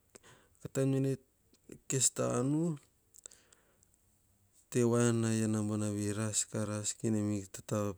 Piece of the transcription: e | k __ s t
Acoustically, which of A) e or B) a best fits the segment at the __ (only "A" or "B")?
A